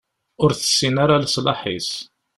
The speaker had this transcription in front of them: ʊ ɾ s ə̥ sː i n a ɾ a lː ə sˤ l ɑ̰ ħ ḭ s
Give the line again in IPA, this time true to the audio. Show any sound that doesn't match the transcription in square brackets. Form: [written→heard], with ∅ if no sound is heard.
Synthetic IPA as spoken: ʊ ɾ [s→θ] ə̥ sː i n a ɾ a [lː→l] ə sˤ l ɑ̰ ħ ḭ s